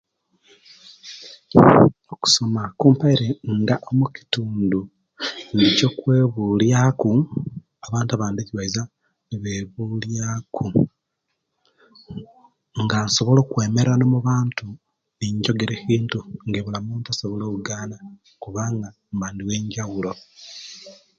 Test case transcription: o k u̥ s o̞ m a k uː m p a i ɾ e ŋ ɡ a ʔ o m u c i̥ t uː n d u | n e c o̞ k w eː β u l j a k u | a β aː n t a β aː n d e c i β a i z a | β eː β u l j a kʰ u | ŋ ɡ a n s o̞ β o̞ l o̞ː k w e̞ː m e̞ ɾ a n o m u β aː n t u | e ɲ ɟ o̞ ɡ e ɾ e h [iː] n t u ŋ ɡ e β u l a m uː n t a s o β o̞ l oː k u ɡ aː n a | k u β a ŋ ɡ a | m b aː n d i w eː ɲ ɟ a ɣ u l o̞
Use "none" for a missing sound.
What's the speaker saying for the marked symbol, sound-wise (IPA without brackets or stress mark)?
iː